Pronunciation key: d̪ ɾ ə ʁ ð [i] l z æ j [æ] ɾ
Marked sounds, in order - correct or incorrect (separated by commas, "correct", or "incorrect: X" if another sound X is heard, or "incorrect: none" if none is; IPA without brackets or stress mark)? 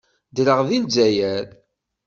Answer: correct, correct